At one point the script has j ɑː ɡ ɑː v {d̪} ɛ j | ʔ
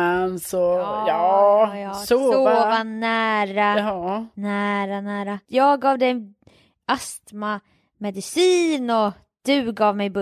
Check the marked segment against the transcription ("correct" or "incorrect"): correct